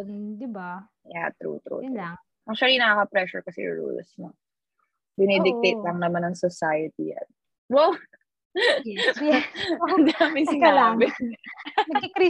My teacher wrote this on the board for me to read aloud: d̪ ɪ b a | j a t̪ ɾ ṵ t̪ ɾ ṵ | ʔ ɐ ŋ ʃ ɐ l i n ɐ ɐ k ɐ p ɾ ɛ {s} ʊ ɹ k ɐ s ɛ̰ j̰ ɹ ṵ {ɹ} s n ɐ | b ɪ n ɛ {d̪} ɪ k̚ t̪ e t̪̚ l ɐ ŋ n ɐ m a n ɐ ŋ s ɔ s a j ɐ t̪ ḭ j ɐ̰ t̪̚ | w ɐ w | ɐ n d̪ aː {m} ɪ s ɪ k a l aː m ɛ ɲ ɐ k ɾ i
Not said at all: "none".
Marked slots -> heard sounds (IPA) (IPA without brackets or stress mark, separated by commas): ʃ, l, d̪, m